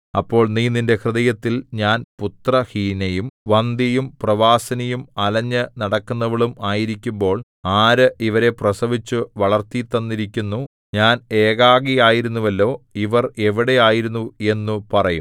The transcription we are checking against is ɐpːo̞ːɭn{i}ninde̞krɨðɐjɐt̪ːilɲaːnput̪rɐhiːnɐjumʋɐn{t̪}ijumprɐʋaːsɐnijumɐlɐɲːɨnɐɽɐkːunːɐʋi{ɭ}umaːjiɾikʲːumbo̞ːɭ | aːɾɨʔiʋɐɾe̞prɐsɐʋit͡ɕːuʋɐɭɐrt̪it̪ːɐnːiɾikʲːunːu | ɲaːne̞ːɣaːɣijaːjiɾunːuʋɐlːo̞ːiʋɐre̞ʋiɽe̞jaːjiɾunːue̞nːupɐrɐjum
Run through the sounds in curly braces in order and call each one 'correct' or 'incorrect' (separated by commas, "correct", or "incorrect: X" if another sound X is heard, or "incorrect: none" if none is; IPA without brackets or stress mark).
incorrect: iː, incorrect: d̪, correct